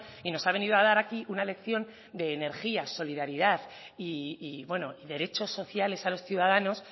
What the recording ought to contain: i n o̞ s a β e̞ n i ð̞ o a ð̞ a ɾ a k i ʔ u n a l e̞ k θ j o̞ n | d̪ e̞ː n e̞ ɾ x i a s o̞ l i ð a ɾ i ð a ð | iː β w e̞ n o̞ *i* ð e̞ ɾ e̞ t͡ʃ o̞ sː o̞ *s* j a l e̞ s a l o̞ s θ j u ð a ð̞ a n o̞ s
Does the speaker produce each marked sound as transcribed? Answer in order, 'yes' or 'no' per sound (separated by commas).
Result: yes, no